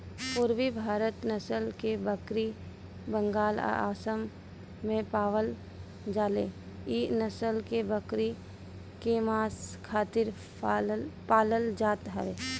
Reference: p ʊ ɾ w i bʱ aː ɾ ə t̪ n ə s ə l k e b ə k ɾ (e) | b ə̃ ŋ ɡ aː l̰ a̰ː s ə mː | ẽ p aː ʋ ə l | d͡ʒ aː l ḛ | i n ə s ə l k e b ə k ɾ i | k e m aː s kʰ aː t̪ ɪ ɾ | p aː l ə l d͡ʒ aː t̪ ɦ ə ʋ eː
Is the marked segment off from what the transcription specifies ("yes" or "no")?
yes